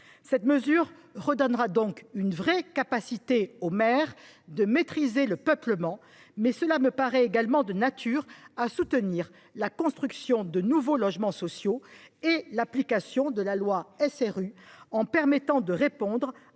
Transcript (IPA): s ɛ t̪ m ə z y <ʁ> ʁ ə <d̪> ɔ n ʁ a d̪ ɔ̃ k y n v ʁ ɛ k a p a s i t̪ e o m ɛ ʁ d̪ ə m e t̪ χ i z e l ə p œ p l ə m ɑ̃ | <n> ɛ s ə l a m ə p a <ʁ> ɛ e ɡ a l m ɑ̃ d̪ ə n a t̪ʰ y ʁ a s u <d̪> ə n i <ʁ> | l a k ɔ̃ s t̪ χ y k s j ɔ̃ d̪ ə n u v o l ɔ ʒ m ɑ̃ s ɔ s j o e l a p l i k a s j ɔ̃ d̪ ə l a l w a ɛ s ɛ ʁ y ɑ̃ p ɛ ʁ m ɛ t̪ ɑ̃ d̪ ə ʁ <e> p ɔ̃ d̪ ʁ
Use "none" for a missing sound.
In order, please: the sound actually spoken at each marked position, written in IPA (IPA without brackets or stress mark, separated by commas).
ʁ, d̪, m, ʁ, t̪, ʁ, e